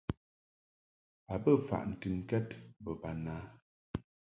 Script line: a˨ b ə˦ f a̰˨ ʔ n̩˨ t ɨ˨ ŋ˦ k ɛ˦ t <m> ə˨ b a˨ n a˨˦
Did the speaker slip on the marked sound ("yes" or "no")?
yes